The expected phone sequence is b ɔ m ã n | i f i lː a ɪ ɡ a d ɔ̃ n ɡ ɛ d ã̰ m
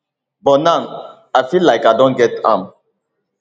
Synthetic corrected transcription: b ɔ n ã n | a f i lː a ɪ k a d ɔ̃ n ɡ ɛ t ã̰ m